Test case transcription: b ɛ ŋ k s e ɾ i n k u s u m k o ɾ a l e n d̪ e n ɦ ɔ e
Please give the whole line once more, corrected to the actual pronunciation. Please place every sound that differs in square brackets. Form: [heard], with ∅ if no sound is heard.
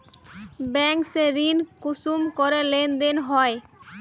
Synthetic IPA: b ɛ ŋ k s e ɾ i n k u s u m k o ɾ [e] l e n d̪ e n ɦ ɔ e